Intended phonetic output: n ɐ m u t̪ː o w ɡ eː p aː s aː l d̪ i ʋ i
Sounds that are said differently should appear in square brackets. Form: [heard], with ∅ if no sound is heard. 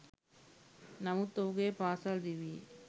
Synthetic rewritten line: n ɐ m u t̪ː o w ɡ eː p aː s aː l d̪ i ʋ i